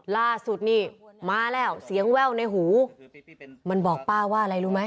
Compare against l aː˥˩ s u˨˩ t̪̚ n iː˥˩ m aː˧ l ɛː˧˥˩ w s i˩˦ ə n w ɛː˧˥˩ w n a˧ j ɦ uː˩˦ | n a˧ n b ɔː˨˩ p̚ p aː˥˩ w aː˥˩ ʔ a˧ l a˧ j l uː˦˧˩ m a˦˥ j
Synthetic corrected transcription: l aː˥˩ s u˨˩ t̪̚ n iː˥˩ m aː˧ l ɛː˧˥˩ w s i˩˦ ə ŋ w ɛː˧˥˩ w n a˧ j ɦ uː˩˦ | m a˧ n b ɔː˨˩ k̚ p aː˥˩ w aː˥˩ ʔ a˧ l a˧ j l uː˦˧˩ m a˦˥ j